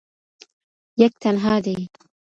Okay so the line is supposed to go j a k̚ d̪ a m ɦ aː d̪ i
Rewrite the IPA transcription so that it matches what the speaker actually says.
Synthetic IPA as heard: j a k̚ t̪ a n ɦ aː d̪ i